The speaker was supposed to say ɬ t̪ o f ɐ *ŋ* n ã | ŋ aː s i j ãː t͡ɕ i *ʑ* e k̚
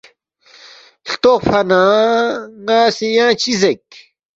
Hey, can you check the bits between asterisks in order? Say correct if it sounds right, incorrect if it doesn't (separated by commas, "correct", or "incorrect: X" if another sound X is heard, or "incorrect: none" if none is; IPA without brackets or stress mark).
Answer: incorrect: none, incorrect: z